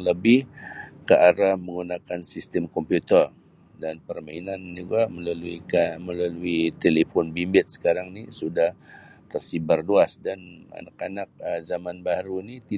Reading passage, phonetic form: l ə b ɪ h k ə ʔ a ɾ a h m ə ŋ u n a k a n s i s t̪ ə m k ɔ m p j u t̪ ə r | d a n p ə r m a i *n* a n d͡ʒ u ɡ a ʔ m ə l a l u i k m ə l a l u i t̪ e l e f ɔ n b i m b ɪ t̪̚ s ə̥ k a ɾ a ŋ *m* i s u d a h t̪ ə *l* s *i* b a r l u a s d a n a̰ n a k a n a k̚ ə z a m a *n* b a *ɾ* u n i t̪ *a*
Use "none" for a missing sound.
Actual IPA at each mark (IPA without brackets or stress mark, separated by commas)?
n, n, r, i, n, ɾ, i